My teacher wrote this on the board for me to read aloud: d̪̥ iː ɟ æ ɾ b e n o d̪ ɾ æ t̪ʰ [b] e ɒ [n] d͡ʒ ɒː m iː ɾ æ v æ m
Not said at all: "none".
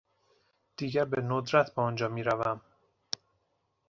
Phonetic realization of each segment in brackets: b, n

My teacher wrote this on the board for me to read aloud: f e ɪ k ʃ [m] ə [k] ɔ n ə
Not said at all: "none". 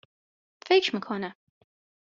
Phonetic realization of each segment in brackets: m, kʰ

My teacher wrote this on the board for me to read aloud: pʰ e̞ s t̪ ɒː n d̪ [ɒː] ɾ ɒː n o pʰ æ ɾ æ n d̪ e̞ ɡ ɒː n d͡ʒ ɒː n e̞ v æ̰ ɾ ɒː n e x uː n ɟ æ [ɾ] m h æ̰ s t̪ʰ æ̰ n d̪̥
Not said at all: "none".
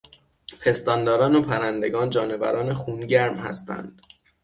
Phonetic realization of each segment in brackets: ɒː, ɾ

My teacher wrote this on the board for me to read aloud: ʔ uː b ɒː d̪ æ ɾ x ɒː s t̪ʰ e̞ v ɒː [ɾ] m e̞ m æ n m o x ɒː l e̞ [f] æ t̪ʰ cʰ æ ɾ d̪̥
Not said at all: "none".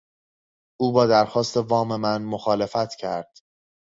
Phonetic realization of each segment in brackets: none, f

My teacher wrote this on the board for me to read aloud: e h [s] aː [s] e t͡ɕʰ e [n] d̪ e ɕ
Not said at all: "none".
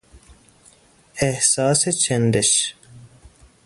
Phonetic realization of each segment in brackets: s, s, n

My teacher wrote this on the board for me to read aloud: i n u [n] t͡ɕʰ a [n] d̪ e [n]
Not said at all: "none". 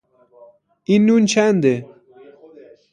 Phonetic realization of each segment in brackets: n, n, none

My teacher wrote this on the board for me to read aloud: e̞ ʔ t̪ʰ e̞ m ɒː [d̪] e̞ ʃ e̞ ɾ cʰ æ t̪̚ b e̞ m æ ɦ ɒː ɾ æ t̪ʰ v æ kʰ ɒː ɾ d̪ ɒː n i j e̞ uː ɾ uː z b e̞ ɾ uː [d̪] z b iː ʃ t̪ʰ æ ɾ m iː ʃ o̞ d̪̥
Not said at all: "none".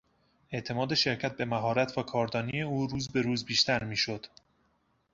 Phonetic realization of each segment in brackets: d̪, none

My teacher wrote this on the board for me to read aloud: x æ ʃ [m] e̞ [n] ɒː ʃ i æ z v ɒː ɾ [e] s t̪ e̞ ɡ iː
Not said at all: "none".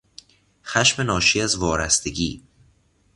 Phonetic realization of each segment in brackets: m, n, æ

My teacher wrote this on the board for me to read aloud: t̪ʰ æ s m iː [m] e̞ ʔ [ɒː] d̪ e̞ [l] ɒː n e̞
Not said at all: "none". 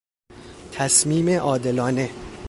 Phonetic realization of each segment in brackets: m, ɒː, l

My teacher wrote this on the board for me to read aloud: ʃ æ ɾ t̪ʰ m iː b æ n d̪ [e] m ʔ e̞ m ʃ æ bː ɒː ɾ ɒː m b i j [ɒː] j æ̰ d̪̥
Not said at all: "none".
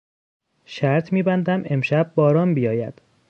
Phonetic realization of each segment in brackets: æ, ɒː

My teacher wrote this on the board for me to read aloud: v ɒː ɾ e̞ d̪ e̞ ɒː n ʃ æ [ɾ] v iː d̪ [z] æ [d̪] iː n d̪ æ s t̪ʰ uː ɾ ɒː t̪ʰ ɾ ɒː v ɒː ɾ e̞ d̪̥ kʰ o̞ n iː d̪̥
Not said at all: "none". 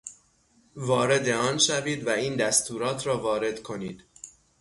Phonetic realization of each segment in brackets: none, v, none

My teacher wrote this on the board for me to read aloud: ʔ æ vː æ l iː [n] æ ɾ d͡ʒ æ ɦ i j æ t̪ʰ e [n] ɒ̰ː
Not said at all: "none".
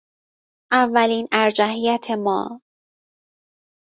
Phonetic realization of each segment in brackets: n, m

